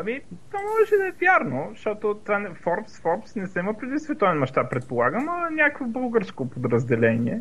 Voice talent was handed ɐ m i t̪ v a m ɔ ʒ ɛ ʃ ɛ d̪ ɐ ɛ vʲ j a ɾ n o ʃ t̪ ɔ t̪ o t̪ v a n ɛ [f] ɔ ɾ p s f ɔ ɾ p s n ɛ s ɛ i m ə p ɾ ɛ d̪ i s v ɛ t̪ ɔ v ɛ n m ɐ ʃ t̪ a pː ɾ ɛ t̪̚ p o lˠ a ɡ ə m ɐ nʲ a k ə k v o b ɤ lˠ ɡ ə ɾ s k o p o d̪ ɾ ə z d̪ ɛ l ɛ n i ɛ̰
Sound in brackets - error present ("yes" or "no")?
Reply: no